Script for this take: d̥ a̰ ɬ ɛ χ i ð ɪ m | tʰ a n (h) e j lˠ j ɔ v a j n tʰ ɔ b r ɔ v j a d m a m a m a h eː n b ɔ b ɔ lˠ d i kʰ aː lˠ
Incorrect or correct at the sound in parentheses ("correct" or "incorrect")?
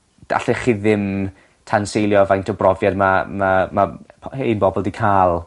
incorrect